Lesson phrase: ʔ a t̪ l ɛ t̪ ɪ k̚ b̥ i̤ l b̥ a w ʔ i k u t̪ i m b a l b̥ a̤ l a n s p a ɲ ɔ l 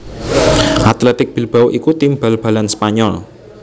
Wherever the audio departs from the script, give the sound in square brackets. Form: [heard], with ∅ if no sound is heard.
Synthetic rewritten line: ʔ a t̪ l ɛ t̪ ɪ k̚ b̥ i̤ l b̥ a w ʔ i k u t̪ i m b a l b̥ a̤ l a n s p a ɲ ɔ l